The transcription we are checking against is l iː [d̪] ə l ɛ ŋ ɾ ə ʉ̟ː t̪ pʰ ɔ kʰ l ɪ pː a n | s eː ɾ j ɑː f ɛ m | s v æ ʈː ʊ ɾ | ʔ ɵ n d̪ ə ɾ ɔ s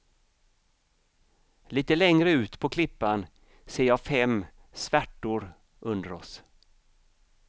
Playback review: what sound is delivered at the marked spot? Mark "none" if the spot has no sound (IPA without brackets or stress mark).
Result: t̪